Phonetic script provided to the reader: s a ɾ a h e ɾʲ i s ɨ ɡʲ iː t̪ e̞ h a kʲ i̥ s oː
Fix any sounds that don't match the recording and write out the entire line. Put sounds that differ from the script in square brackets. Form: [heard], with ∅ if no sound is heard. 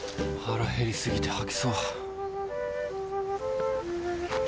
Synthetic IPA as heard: [h] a ɾ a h e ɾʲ i s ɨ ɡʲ [i] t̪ e̞ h a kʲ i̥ s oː